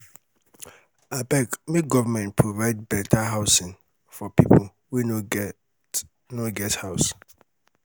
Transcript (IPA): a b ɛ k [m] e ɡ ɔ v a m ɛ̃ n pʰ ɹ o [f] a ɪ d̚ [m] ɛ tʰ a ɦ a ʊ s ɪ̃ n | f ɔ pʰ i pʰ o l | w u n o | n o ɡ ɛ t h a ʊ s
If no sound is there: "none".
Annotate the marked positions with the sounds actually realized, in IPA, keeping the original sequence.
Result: m, v, b

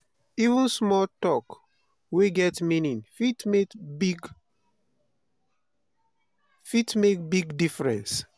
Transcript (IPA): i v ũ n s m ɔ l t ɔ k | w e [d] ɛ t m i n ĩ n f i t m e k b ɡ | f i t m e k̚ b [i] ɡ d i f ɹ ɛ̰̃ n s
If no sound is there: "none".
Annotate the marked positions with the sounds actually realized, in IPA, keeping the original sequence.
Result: ɡ, i

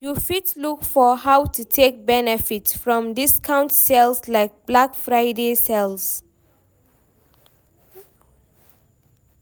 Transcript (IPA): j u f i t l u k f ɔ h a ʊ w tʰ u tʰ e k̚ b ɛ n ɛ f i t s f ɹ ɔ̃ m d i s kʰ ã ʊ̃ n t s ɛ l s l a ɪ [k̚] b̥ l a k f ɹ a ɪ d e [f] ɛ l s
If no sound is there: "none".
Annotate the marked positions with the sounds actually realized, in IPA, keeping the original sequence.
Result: k̚, s

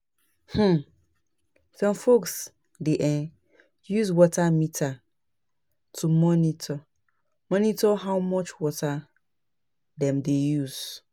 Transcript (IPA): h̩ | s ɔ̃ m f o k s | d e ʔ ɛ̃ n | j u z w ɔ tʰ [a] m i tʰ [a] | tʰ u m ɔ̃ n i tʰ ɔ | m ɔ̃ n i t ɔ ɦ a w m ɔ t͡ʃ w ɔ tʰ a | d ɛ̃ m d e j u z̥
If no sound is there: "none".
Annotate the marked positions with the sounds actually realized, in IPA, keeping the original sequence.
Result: a, a

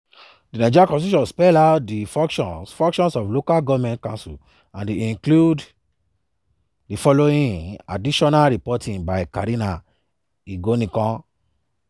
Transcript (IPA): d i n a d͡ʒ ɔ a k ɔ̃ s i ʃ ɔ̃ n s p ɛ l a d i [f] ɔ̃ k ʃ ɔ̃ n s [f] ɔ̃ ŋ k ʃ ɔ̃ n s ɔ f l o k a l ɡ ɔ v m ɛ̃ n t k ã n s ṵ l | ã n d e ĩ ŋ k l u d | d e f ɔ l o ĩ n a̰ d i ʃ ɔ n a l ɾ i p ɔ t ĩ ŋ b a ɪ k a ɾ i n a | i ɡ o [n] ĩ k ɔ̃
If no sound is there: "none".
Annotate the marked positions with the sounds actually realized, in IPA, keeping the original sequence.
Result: f, f, n

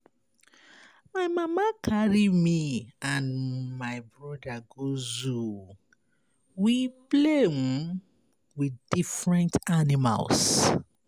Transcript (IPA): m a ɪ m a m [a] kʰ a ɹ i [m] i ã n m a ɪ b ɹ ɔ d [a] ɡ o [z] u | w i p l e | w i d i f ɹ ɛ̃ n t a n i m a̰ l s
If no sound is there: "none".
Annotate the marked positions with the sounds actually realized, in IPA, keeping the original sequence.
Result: a, m, a, z

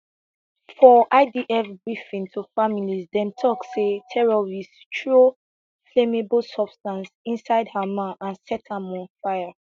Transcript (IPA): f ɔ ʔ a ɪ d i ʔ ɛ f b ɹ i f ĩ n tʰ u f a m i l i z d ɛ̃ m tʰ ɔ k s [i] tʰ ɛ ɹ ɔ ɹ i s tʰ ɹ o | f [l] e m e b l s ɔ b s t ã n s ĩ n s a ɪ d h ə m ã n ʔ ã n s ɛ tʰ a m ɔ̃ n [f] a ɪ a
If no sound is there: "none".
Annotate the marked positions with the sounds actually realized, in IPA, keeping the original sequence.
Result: e, l, f

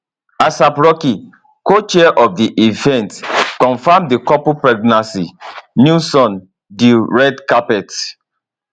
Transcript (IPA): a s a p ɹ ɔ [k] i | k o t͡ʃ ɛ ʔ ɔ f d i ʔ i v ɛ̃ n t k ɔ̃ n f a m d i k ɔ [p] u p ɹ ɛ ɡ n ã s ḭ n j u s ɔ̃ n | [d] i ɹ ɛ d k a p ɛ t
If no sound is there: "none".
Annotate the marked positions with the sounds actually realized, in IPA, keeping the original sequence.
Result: k, p, d

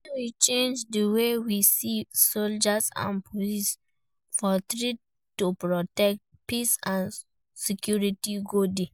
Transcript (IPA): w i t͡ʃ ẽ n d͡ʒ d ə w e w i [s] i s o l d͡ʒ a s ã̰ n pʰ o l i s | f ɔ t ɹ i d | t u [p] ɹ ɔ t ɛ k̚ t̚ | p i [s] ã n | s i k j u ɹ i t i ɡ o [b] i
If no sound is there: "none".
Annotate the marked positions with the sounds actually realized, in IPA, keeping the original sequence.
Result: s, p, s, d

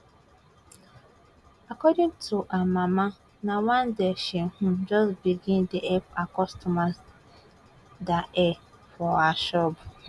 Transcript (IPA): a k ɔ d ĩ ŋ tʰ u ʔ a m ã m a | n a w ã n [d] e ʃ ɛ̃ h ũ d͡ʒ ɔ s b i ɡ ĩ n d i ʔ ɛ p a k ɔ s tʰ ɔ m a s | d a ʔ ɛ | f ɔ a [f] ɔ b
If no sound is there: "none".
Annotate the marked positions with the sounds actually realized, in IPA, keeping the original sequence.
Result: d, ʃ

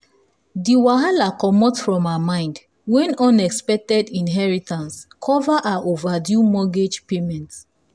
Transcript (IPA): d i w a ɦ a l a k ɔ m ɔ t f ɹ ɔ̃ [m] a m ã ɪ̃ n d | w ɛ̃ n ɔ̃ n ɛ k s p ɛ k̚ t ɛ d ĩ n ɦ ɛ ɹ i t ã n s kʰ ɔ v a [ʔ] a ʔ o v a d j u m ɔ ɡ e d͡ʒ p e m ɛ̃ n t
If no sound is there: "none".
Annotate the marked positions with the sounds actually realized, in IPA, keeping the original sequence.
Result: m, ʔ

